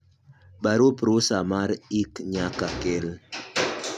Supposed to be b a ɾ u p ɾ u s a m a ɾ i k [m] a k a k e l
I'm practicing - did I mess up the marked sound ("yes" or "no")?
yes